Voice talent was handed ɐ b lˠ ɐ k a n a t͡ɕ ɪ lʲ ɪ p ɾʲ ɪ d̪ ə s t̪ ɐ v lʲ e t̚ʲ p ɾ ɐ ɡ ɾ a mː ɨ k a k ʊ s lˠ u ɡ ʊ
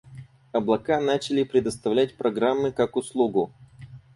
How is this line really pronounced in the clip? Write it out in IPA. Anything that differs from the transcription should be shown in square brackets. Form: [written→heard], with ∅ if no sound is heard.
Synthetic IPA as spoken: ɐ b lˠ ɐ k a n a t͡ɕ ɪ lʲ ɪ p ɾʲ ɪ d̪ ə s t̪ ɐ v lʲ [e→æ] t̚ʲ p ɾ ɐ ɡ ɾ a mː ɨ k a k ʊ s lˠ u ɡ ʊ